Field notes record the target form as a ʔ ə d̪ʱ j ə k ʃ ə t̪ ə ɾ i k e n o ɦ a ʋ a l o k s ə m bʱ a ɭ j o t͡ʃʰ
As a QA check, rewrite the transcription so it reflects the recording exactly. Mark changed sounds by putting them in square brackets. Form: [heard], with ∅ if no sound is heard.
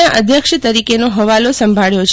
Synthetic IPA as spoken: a ʔ ə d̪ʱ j ə k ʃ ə t̪ ə ɾ i k e n o ɦ [ə] ʋ a l o [∅] s ə m bʱ a ɭ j o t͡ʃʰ